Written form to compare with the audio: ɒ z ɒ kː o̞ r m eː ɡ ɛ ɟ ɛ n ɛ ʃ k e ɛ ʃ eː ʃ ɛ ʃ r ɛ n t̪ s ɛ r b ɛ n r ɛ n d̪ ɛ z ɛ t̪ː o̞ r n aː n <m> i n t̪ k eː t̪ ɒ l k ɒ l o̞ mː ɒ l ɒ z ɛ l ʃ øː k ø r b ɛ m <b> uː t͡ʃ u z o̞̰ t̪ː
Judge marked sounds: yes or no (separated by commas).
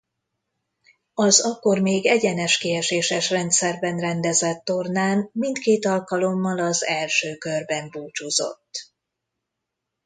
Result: yes, yes